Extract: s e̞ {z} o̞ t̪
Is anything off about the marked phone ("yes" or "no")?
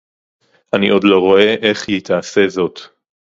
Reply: no